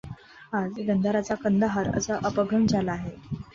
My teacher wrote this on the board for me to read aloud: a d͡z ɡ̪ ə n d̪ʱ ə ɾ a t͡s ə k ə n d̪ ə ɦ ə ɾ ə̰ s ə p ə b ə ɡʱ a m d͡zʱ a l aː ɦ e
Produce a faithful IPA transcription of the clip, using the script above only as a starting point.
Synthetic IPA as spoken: a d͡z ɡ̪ ə n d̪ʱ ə ɾ a t͡s a k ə n d̪ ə ɦ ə ɾ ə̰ s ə ʔ ə p ə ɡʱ ə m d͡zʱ a l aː ɦ e